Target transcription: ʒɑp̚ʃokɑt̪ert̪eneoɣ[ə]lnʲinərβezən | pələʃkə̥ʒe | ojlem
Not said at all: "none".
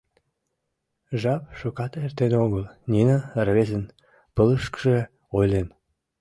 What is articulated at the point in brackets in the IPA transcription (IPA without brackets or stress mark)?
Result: ə